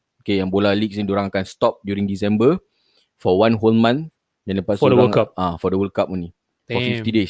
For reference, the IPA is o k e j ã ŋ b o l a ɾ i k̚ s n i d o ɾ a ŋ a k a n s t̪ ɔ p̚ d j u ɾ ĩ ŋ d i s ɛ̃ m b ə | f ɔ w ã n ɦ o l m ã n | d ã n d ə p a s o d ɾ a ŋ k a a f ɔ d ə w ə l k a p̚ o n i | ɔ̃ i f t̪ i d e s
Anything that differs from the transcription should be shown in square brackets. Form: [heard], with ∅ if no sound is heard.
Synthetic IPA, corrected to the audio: o k e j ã ŋ b o l a [l] i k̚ s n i d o ɾ a ŋ a k a n s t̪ ɔ p̚ d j u ɾ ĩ ŋ d i s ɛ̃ m b ə | f ɔ w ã n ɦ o l m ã n | d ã n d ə p a s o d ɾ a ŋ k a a f ɔ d ə w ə l k a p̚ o n i | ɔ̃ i f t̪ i d e s